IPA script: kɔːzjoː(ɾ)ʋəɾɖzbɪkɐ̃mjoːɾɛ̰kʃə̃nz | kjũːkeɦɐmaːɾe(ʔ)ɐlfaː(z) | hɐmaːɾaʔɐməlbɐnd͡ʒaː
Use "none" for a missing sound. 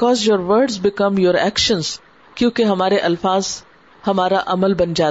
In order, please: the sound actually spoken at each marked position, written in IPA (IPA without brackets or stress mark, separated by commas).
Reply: ɾ, ʔ, z